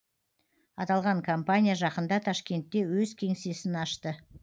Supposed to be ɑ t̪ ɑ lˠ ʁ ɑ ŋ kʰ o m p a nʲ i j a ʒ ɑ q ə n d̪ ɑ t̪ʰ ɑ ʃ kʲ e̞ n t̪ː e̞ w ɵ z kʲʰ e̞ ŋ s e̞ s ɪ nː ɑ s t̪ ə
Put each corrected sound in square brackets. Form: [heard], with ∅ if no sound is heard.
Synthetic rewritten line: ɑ t̪ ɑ lˠ ʁ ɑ ŋ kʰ o m p a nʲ i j a ʒ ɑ q ə n d̪ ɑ t̪ʰ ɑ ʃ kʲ e̞ n t̪ː e̞ w ɵ z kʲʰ e̞ ŋ s e̞ s ɪ [n] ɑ [ʃ] t̪ ə

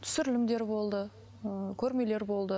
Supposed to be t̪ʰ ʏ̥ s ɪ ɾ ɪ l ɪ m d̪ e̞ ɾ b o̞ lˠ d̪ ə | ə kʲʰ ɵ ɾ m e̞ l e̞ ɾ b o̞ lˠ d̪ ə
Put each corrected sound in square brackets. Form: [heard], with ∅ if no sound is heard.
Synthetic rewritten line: t̪ʰ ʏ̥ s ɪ ɾ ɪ l ɪ m d̪ e̞ ɾ b o̞ lˠ d̪ ə | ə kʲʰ ɵ ɾ m e̞ l e̞ ɾ b o̞ lˠ d̪ ə

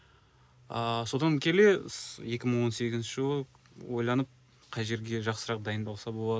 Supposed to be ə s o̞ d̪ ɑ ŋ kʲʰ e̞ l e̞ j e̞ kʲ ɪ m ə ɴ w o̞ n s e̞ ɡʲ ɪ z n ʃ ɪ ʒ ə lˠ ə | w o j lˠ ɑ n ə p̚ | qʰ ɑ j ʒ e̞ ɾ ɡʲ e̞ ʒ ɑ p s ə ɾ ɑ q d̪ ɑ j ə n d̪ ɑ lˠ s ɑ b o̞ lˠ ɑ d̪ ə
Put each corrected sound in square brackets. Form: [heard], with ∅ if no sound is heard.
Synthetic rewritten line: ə s o̞ d̪ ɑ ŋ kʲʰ e̞ l e̞ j e̞ kʲ ɪ m ə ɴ w o̞ n s e̞ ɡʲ ɪ z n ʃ ɪ ʒ ə lˠ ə | w o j lˠ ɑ n ə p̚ | qʰ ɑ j ʒ e̞ ɾ ɡʲ e̞ ʒ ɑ [q] s ə ɾ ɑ q d̪ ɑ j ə n d̪ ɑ lˠ s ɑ b o̞ lˠ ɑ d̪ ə

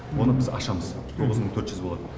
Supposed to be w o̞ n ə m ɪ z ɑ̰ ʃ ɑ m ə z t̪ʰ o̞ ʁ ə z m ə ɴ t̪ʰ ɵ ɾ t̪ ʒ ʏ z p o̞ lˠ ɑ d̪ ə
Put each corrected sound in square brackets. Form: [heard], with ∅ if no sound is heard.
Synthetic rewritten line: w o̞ n ə [b] ɪ z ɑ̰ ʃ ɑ m ə z t̪ʰ o̞ ʁ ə z m ə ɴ t̪ʰ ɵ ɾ t̪ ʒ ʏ z [b] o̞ lˠ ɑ d̪ ə

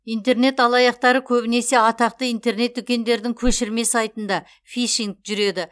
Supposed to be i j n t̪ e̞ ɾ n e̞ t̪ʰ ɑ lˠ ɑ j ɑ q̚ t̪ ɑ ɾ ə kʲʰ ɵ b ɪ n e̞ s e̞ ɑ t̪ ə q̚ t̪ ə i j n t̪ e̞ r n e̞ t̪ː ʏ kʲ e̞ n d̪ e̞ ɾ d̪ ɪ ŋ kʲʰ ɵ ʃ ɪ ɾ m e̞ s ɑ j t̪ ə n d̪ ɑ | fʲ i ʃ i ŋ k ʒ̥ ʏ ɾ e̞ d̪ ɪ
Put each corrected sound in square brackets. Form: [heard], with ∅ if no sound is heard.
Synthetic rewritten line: i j n t̪ e̞ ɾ n e̞ [t̪] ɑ lˠ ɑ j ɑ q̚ t̪ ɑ ɾ ə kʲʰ ɵ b ɪ n e̞ s e̞ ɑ t̪ [ɑ] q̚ t̪ ə i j n t̪ e̞ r n e̞ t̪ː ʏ kʲ e̞ n d̪ e̞ ɾ d̪ ɪ ŋ kʲʰ ɵ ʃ ɪ ɾ m e̞ s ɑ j t̪ ə n d̪ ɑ | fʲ i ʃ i ŋ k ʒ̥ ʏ ɾ e̞ d̪ ɪ

